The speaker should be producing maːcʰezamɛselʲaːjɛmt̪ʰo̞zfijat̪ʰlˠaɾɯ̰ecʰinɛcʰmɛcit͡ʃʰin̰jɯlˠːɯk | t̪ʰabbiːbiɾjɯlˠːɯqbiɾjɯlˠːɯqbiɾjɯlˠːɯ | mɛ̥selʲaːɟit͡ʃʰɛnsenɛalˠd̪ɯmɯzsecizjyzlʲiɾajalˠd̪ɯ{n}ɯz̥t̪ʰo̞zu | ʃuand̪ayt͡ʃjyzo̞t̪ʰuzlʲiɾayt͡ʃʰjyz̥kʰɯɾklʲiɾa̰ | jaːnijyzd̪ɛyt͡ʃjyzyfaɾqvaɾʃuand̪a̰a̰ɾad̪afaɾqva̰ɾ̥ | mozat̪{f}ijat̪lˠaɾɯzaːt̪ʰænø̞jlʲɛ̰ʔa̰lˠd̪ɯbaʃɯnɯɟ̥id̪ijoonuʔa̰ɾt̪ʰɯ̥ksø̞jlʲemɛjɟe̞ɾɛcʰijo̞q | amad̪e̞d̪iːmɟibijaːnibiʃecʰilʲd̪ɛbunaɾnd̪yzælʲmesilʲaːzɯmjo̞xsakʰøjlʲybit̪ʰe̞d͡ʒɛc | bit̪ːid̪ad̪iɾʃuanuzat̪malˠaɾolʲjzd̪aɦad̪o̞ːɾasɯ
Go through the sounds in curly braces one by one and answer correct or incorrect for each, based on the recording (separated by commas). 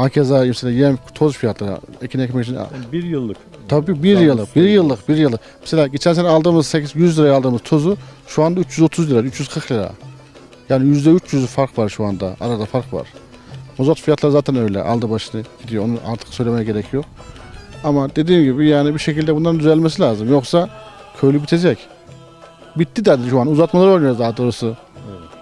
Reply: incorrect, correct